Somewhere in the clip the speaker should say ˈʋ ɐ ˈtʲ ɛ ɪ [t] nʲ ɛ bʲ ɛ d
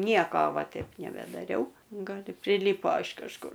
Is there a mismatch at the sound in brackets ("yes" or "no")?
yes